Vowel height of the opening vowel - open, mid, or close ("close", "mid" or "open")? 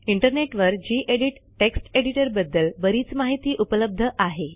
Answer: close